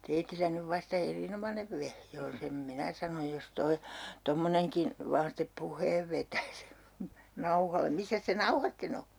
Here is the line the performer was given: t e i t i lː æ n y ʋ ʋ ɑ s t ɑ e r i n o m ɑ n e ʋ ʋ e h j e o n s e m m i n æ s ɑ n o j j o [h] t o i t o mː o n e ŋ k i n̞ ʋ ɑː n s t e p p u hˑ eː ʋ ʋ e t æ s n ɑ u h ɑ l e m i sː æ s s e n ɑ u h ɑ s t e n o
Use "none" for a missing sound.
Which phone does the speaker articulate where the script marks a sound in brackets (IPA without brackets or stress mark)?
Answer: s